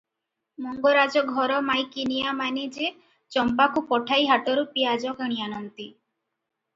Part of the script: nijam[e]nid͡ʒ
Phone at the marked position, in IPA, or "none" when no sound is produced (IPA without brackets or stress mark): a